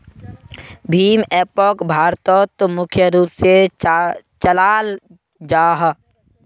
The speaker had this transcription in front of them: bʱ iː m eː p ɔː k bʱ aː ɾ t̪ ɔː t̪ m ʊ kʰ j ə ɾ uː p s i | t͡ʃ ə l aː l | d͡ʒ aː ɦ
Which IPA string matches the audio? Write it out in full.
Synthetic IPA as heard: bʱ iː m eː p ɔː k bʱ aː ɾ t̪ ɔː t̪ m ʊ kʰ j ə ɾ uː p s e | t͡ʃ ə l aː l | d͡ʒ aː ɦ